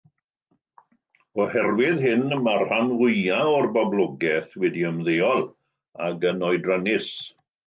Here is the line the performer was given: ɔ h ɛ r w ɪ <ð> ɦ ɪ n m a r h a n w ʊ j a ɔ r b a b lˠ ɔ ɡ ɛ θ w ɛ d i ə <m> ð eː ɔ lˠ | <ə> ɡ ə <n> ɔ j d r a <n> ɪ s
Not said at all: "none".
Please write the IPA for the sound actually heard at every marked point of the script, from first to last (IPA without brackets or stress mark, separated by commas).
ð, m, a, n, n